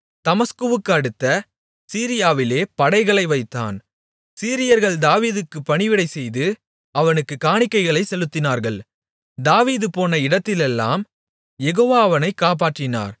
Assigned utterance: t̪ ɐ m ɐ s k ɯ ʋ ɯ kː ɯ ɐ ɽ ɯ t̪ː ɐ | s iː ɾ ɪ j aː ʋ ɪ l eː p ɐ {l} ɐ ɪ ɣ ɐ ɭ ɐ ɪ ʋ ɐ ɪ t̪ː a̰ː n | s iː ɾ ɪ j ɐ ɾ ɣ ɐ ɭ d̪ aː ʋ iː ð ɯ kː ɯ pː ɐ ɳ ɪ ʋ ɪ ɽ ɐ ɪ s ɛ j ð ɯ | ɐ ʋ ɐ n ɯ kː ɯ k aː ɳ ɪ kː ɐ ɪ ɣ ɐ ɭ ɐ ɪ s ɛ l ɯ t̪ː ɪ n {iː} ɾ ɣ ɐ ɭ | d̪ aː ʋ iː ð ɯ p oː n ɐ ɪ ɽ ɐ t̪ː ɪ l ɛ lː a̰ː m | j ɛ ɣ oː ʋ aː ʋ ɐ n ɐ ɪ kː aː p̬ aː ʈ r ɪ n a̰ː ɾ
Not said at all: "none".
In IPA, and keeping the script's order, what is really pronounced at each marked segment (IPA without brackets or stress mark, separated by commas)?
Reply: ɽ, aː